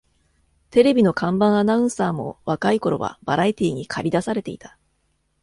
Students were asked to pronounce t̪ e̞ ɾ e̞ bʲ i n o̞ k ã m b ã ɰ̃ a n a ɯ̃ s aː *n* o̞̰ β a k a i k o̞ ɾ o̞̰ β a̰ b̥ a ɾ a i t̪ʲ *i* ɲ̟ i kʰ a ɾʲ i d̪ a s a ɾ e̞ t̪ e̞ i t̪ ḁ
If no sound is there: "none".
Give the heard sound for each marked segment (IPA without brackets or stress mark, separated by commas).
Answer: m, iː